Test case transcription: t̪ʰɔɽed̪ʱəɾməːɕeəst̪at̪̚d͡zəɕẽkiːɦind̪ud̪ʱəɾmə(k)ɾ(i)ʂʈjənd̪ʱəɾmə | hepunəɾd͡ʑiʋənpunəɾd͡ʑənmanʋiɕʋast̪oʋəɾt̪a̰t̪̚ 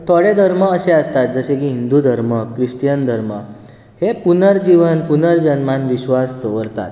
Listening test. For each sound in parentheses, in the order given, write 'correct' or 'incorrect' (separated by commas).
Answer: correct, correct